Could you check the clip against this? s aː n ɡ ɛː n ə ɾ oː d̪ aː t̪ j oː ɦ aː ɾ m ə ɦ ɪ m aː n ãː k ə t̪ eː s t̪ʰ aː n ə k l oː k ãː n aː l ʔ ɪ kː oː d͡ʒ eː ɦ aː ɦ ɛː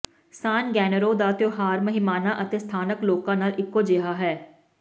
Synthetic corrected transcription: s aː n ɡ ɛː n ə ɾ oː d̪ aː t̪ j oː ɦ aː ɾ m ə ɦ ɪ m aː n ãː ʔ ə t̪ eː s t̪ʰ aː n ə k l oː k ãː n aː l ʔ ɪ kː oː d͡ʒ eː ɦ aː ɦ ɛː

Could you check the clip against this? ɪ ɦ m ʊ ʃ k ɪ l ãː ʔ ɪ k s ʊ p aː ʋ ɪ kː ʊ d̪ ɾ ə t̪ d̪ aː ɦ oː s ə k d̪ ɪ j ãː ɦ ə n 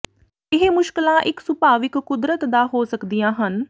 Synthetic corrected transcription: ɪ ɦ m ʊ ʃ k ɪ l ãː ʔ ɪ k s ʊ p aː ʋ ɪ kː ʊ d̪ ɾ ə t̪ d̪ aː ɦ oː s ə k d̪ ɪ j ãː ɦ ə n

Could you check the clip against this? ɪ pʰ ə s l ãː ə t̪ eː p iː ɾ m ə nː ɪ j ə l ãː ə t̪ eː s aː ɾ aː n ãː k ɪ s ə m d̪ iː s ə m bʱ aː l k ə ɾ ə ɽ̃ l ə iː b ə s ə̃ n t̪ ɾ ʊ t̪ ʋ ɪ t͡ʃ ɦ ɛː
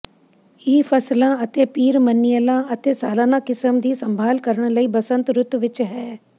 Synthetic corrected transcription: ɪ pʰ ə s l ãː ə t̪ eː p iː ɾ m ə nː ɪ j ə l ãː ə t̪ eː s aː l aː n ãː k ɪ s ə m d̪ iː s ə m bʱ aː l k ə ɾ ə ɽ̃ l ə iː b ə s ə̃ n t̪ ɾ ʊ t̪ ʋ ɪ t͡ʃ ɦ ɛː

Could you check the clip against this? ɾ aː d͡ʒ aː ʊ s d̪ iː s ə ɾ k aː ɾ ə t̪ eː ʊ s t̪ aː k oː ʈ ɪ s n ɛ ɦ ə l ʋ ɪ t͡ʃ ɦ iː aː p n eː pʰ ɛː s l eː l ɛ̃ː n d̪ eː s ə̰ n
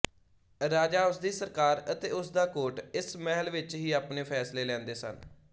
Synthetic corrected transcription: ɾ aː d͡ʒ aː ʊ s d̪ iː s ə ɾ k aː ɾ ə t̪ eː ʊ s d̪ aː k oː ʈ ɪ s m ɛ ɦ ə l ʋ ɪ t͡ʃ ɦ iː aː p n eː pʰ ɛː s l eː l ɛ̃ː n d̪ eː s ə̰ n

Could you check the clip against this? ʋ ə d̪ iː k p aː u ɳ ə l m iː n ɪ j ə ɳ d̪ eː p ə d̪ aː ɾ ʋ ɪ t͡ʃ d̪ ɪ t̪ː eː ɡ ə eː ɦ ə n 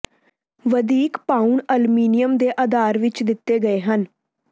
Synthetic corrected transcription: ʋ ə d̪ iː k p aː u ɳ ə l m iː n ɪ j ə m d̪ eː ʔ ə d̪ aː ɾ ʋ ɪ t͡ʃ d̪ ɪ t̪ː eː ɡ ə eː ɦ ə n

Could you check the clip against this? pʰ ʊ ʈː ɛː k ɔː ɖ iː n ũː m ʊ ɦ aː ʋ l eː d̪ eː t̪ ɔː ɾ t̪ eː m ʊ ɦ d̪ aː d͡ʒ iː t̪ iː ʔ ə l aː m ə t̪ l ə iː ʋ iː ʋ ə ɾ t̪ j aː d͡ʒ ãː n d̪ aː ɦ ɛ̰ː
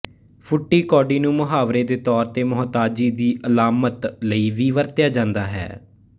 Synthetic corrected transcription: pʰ ʊ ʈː iː k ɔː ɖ iː n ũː m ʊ ɦ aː ʋ ɾ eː d̪ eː t̪ ɔː ɾ t̪ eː m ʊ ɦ t̪ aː d͡ʒ iː d̪ iː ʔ ə l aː m ə t̪ l ə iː ʋ iː ʋ ə ɾ t̪ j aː d͡ʒ ãː n d̪ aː ɦ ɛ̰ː

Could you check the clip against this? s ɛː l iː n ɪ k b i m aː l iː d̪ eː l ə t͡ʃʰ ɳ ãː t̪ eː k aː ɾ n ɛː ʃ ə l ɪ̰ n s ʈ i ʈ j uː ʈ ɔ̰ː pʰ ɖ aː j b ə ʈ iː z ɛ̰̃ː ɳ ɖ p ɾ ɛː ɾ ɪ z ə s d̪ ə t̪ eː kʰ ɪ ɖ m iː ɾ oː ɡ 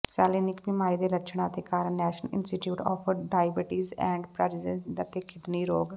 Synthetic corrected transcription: s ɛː l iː n ɪ k b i m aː ɾ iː d̪ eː l ə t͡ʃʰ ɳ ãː t̪ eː k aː ɾ n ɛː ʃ ə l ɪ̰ n s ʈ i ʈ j uː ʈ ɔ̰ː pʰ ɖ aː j b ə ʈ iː z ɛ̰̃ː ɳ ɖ p ɾ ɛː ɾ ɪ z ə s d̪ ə t̪ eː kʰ ɪ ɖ n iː ɾ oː ɡ

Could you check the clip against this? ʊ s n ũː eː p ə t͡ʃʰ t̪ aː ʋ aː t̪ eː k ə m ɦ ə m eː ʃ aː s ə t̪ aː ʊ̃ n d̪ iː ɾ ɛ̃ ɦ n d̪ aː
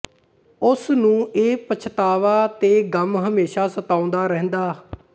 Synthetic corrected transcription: ʊ s n ũː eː p ə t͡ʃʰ t̪ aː ʋ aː t̪ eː ɡ ə m ɦ ə m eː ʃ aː s ə t̪ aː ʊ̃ n d̪ aː ɾ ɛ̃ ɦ n d̪ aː

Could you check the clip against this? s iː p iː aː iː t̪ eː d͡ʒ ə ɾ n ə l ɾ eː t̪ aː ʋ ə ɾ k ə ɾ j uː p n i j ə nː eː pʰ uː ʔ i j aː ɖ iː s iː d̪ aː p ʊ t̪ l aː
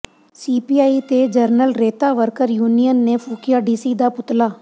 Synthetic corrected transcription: s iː p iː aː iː t̪ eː d͡ʒ ə ɾ n ə l ɾ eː t̪ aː ʋ ə ɾ k ə ɾ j uː n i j ə nː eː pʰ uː k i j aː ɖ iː s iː d̪ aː p ʊ t̪ l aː

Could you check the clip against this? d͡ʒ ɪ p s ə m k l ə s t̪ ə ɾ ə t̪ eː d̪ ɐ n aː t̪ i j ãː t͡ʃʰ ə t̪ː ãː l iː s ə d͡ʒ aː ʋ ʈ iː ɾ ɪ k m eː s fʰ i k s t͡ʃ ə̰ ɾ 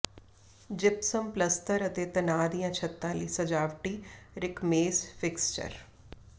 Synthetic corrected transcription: d͡ʒ ɪ p s ə m p l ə s t̪ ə ɾ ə t̪ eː t̪ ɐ n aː d̪ i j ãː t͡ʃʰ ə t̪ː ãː l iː s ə d͡ʒ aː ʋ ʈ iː ɾ ɪ k m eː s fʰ ɪ k s t͡ʃ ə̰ ɾ

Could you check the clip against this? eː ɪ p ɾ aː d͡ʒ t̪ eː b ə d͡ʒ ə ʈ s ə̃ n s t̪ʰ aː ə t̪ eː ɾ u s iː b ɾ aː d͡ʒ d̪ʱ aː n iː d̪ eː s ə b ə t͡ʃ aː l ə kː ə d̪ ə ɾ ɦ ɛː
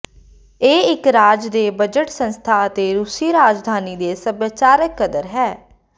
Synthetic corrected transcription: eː ɪ k ɾ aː d͡ʒ d̪ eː b ə d͡ʒ ə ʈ s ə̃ n s t̪ʰ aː ə t̪ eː ɾ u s iː ɾ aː d͡ʒ d̪ʱ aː n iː d̪ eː s ə b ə t͡ʃ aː ɾ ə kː ə d̪ ə ɾ ɦ ɛː

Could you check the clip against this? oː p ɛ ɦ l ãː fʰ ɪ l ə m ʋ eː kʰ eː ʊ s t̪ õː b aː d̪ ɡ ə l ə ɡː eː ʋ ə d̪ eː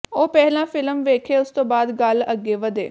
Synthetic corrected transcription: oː p ɛ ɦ l ãː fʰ ɪ l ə m ʋ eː kʰ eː ʊ s t̪ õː b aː d̪ ɡ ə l ə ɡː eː ʋ ə d̪ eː

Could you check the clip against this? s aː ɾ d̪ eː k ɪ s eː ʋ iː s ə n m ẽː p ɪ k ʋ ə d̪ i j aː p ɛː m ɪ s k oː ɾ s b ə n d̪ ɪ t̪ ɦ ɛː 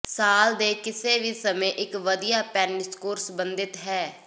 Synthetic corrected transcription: s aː l d̪ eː k ɪ s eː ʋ iː s ə m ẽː ʔ ɪ k ʋ ə d̪ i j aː p ɛː n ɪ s k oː ɾ s b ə n d̪ ɪ t̪ ɦ ɛː

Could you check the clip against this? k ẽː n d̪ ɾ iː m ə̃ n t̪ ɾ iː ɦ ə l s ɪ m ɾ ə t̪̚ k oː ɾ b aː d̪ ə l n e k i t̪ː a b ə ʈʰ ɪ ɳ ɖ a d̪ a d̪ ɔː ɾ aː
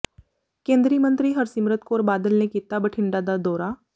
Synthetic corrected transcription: k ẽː n d̪ ɾ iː m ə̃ n t̪ ɾ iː ɦ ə ɾ s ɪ m ɾ ə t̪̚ k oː ɾ b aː d̪ ə l n e k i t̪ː a b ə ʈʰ ɪ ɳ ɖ a d̪ a d̪ ɔː ɾ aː

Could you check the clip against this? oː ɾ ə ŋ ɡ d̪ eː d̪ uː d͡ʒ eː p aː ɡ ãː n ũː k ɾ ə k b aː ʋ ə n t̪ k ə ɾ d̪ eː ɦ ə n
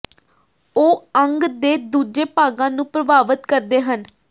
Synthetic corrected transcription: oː ə ŋ ɡ d̪ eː d̪ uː d͡ʒ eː p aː ɡ ãː n ũː p ɾ ə b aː ʋ ə t̪ k ə ɾ d̪ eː ɦ ə n

